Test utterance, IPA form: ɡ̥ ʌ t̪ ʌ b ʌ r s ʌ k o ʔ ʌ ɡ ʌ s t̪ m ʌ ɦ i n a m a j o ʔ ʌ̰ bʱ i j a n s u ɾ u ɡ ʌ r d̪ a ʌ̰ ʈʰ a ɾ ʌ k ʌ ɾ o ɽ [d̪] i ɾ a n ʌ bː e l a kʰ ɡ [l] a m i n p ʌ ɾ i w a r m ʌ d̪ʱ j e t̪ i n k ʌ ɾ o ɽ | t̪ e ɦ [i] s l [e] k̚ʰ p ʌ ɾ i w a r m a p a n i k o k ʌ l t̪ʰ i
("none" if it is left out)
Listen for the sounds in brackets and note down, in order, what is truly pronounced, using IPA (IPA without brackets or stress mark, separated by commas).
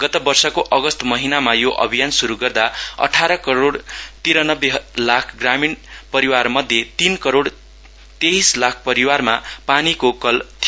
t̪, r, i, a